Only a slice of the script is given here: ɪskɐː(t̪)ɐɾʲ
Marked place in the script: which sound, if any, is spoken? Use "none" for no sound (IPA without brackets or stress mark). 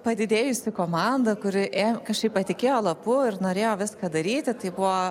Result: d̪